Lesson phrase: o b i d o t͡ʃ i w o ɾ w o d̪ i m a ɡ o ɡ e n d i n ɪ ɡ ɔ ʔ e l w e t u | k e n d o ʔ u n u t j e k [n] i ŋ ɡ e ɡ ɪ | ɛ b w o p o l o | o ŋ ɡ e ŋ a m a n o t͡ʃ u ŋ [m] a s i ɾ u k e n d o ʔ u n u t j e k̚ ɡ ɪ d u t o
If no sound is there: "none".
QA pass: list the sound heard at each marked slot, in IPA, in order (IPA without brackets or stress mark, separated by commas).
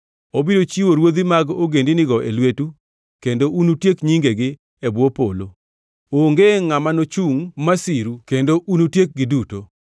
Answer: ɲ, m